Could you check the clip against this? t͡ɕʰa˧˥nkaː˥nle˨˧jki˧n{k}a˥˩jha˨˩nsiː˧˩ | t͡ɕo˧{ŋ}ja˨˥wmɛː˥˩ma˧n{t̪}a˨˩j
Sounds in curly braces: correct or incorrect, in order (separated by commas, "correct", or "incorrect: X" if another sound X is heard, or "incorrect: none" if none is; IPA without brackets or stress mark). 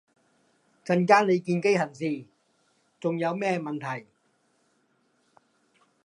correct, correct, incorrect: t̪ʰ